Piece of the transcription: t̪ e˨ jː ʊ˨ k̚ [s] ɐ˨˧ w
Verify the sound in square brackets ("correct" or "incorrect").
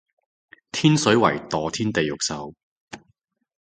correct